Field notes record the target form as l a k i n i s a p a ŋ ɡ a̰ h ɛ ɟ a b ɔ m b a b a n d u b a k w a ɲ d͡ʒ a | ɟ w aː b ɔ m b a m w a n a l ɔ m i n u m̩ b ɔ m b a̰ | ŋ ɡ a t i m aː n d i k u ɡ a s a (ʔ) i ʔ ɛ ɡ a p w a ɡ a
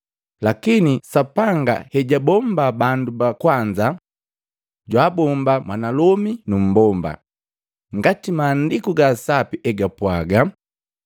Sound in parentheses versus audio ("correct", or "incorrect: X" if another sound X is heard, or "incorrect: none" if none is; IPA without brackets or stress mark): incorrect: p